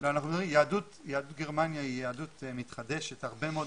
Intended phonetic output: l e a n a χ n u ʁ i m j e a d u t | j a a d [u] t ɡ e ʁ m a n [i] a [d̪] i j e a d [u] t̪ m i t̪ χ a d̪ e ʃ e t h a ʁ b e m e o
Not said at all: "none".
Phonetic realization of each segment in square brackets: u, j, none, u

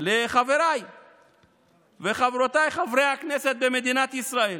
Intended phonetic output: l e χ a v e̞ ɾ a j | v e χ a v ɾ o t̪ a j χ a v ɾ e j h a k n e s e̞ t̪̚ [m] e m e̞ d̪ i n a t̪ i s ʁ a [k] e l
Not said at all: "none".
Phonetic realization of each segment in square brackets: b, none

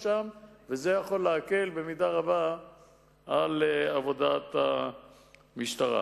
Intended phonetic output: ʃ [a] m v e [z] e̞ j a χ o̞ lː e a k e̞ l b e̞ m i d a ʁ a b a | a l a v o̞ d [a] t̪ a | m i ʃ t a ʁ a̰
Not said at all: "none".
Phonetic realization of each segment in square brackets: a, z, a

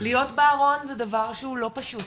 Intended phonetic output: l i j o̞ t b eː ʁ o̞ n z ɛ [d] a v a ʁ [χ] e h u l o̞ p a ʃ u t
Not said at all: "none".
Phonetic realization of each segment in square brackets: d, ʃ

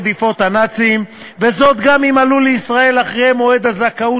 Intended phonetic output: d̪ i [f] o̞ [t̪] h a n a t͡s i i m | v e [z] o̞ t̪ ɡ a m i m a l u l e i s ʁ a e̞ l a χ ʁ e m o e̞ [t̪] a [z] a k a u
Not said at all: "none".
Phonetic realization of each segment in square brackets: f, t̪, z, d̪, z

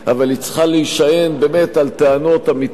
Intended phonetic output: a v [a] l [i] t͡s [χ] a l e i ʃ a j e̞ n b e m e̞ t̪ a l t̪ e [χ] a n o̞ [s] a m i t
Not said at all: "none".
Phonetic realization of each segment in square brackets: a, i, χ, none, t

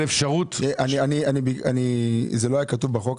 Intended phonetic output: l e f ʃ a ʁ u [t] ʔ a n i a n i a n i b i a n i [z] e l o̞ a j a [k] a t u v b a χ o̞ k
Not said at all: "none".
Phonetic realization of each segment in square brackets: t, z, k

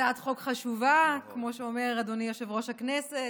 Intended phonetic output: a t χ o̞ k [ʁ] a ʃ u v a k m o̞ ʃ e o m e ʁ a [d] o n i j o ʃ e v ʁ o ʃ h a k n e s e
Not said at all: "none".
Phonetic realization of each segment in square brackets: χ, d

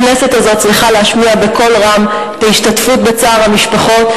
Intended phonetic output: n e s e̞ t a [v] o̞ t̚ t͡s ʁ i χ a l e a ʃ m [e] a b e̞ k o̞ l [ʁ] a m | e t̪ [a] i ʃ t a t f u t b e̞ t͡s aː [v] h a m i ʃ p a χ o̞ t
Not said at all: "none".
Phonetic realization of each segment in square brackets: z, i, ʁ, a, ʁ

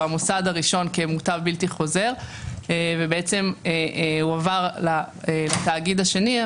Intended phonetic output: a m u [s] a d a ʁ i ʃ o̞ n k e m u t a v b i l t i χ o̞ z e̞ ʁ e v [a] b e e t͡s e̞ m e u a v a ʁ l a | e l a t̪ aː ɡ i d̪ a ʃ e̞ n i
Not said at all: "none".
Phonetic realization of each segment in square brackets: s, e

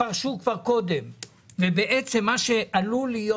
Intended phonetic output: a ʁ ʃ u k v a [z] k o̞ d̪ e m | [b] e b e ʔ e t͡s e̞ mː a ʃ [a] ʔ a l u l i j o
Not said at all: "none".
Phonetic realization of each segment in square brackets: ʁ, v, e

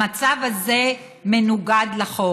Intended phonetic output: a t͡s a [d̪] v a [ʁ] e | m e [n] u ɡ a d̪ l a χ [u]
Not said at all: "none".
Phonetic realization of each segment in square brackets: none, z, n, o

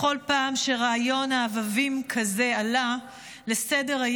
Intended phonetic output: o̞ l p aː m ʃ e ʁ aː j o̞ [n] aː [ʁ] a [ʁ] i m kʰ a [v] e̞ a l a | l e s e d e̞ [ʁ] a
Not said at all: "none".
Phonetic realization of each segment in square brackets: n, v, v, z, ʁ

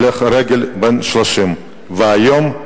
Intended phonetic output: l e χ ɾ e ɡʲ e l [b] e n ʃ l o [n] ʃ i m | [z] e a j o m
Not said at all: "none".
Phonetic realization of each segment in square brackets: b, none, v

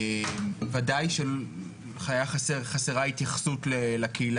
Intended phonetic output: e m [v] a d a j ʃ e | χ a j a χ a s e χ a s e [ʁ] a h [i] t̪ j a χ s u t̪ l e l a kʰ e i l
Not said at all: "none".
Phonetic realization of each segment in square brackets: v, ʁ, i

